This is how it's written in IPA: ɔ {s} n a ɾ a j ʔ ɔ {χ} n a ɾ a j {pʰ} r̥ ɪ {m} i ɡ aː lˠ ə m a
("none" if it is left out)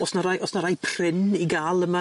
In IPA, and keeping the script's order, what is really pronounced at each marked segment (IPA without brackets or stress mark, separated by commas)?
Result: s, s, pʰ, n